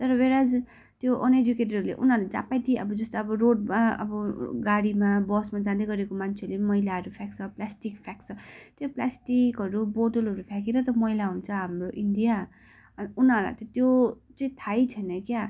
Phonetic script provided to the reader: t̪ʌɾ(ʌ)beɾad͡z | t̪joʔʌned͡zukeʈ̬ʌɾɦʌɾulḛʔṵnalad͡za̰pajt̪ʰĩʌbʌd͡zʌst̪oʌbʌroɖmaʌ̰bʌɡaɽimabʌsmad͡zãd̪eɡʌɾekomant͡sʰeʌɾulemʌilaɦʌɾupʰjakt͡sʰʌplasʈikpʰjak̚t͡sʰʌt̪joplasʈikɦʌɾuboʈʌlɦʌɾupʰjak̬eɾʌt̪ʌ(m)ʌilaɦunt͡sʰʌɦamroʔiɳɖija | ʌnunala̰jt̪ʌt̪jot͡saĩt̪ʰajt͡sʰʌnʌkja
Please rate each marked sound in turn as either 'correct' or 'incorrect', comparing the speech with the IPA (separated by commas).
correct, correct